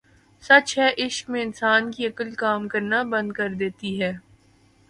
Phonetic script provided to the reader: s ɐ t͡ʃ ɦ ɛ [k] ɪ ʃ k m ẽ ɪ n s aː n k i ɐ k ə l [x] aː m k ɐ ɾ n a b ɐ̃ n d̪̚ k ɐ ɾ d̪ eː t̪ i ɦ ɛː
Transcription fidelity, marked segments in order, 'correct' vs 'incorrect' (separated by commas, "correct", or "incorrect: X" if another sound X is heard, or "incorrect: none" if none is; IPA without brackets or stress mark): incorrect: ʔ, incorrect: k